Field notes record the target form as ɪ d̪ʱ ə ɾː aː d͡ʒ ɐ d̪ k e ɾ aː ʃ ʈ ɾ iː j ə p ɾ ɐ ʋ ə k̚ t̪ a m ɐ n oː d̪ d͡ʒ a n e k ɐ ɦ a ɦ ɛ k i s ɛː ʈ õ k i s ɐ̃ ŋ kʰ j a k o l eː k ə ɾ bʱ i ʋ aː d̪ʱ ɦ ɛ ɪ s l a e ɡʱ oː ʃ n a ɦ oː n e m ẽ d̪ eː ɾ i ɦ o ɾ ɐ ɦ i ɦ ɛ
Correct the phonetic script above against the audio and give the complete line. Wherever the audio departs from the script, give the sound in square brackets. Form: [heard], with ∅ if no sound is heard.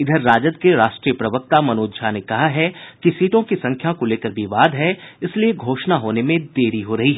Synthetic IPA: ɪ d̪ʱ ə ɾː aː d͡ʒ [ə] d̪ k e ɾ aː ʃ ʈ ɾ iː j ə p ɾ ɐ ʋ ə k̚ t̪ a m ɐ n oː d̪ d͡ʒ a n e k ɐ ɦ a ɦ ɛ k i s [iː] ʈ õ k i s ɐ̃ ŋ kʰ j a k o l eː k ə ɾ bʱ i ʋ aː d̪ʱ ɦ ɛ ɪ s l [i] e ɡʱ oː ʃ n a ɦ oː n e m ẽ d̪ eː ɾ i ɦ o ɾ ɐ ɦ i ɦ ɛ

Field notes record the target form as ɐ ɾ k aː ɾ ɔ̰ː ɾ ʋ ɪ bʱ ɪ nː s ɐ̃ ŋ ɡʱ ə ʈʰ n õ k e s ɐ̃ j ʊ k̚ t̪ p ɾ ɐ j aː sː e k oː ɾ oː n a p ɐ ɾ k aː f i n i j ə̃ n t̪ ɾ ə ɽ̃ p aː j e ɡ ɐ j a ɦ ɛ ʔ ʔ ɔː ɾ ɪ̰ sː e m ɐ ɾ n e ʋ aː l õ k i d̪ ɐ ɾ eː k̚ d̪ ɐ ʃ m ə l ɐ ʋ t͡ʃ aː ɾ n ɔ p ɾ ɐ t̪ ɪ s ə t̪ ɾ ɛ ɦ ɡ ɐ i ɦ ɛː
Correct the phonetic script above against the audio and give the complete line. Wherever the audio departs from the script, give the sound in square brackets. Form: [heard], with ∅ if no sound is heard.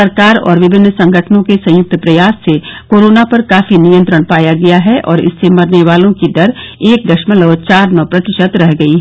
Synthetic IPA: ɐ ɾ k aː ɾ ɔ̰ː ɾ ʋ ɪ bʱ ɪ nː s ɐ̃ ŋ ɡʱ ə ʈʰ n õ k e s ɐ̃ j ʊ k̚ t̪ p ɾ ɐ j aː sː e k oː ɾ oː n a p ɐ ɾ k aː f i n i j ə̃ n t̪ ɾ ə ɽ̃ p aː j [a] ɡ ɐ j a ɦ ɛ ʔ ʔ ɔː ɾ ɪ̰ sː e m ɐ ɾ n e ʋ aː l õ k i d̪ ɐ ɾ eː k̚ d̪ ɐ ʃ m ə l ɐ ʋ t͡ʃ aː ɾ n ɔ p ɾ ɐ t̪ ɪ [ʃ] ə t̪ ɾ ɛ ɦ ɡ ɐ i ɦ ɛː

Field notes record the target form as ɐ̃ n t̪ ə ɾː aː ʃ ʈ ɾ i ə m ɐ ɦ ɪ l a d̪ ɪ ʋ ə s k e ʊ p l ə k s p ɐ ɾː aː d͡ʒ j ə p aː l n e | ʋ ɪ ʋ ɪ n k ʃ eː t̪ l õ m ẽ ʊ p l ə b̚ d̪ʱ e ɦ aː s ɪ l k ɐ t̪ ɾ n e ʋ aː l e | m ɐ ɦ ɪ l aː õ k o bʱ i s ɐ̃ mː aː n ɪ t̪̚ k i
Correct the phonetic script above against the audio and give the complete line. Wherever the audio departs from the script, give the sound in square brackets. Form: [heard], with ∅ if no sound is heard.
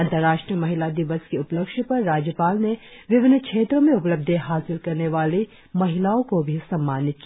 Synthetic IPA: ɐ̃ n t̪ ə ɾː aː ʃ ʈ ɾ i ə m ɐ ɦ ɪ l a d̪ ɪ ʋ ə s k e ʊ p l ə k [ʃ] p ɐ ɾː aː d͡ʒ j ə p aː l n e | ʋ ɪ ʋ ɪ n k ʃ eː t̪ [ɾ] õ m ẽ ʊ p l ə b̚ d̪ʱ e ɦ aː s ɪ l k ɐ [∅] ɾ n e ʋ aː l e | m ɐ ɦ ɪ l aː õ k o bʱ i s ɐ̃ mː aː n ɪ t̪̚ k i

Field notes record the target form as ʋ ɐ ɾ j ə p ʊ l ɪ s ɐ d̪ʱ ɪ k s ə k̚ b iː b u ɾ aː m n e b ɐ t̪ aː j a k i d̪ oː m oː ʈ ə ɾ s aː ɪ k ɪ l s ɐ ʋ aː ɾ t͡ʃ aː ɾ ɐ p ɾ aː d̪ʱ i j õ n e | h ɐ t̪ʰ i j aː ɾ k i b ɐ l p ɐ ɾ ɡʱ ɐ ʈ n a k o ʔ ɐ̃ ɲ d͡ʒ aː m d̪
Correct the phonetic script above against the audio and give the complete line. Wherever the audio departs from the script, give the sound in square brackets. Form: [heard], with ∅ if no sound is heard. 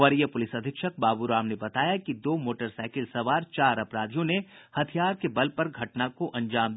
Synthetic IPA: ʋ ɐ ɾ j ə p ʊ l ɪ s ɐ d̪ʱ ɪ k [ʃ] ə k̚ b [aː] b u ɾ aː m n e b ɐ t̪ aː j a k i d̪ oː m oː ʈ ə ɾ s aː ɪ k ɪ l s ɐ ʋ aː ɾ t͡ʃ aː ɾ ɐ p ɾ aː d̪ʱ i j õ n e | h ɐ t̪ʰ i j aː ɾ k [e] b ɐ l p ɐ ɾ ɡʱ ɐ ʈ n a k o ʔ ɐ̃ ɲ d͡ʒ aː m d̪

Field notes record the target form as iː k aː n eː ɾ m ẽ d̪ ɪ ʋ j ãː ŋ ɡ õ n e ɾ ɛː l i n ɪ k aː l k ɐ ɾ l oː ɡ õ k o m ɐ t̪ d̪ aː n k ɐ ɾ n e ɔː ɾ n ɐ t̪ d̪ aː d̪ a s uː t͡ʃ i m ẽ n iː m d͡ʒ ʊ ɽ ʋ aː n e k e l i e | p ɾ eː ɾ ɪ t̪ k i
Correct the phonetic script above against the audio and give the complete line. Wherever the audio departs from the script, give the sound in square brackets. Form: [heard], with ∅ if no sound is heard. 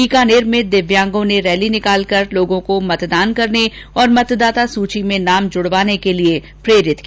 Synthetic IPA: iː k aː n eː ɾ m ẽ d̪ ɪ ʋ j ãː ŋ ɡ õ n e ɾ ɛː l i n ɪ k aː l k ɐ ɾ l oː ɡ õ k o m ɐ t̪ d̪ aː n k ɐ ɾ n e ɔː ɾ [m] ɐ t̪ d̪ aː [t̪] a s uː t͡ʃ i m ẽ n [aː] m d͡ʒ ʊ ɽ ʋ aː n e k e l i e | p ɾ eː ɾ ɪ t̪ k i

